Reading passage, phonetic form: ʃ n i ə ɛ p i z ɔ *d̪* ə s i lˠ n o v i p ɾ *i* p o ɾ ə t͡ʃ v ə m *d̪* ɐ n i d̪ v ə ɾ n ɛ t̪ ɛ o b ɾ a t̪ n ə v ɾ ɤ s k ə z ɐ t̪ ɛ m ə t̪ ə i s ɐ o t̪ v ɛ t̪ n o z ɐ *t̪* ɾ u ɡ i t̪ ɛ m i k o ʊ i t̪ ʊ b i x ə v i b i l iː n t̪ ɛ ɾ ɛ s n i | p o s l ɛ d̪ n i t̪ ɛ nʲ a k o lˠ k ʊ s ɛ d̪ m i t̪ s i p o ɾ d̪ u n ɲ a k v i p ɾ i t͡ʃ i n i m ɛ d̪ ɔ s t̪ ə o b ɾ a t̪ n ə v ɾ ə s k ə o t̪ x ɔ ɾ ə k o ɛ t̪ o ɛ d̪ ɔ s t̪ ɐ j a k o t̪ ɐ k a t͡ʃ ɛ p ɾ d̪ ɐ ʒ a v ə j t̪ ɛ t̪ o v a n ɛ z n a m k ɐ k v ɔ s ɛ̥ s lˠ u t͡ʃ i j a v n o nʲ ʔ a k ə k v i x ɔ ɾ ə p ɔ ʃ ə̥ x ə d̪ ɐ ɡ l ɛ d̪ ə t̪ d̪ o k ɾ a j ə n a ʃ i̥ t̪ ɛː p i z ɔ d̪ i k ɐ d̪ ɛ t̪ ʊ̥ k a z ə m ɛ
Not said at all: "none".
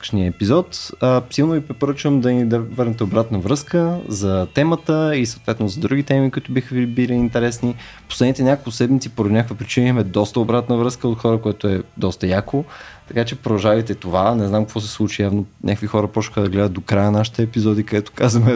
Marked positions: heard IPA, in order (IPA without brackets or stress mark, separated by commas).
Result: t̪, ɛ, d̪, d̪